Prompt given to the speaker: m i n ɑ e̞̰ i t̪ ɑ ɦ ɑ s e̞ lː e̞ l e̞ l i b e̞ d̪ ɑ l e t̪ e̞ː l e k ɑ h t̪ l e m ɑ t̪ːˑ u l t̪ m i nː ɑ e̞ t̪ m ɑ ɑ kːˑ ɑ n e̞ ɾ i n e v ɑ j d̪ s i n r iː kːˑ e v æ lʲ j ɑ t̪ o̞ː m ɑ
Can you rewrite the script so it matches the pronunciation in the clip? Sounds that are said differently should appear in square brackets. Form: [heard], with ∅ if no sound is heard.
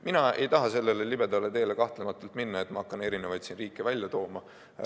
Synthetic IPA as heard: m i n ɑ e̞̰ [j] t̪ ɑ ɦ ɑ s e̞ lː e̞ l e̞ l i b e̞ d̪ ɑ l e t̪ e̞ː l e k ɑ h t̪ l e m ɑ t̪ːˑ u l t̪ m i nː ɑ e̞ t̪ m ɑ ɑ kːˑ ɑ n e̞ ɾ i n e v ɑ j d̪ s i n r iː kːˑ e v æ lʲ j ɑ t̪ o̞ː m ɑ